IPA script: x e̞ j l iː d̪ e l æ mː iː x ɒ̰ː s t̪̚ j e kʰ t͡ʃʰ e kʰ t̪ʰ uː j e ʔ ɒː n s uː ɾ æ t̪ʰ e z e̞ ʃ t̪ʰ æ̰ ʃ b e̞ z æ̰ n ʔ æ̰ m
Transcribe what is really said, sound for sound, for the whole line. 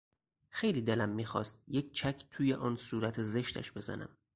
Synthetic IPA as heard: x e̞ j l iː d̪ e l æ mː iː x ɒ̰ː s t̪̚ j e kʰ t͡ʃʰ æ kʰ t̪ʰ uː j e ʔ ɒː n s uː ɾ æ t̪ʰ e z e̞ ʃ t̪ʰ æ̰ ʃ b e̞ z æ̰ n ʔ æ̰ m